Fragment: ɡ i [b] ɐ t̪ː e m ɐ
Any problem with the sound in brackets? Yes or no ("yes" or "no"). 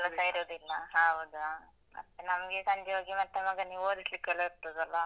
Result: yes